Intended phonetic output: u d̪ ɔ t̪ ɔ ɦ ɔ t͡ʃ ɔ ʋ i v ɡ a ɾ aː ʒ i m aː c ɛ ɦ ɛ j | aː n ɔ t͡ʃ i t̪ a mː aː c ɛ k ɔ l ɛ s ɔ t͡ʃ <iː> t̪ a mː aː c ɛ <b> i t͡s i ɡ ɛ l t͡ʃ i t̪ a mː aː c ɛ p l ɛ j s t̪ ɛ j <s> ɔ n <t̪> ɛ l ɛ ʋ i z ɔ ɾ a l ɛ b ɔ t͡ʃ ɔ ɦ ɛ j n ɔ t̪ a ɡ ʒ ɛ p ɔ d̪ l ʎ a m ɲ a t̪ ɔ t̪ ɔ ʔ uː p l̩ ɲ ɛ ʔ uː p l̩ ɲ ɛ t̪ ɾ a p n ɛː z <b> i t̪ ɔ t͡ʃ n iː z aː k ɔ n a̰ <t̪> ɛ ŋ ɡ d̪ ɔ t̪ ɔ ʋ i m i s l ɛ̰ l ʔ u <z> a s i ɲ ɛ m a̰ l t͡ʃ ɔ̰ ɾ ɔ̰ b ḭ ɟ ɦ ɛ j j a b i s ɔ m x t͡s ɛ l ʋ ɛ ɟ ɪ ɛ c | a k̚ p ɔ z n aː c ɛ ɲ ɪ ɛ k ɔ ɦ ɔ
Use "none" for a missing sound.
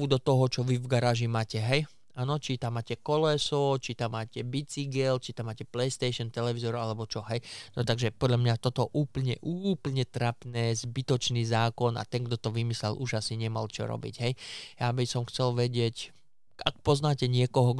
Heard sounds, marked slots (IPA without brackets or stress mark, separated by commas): i, b, ʃ, t̪, b, t̪, ʒ